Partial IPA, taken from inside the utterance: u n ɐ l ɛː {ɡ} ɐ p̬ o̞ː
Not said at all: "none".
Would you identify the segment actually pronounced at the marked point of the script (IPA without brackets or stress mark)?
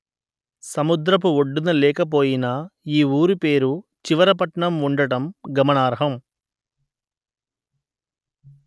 k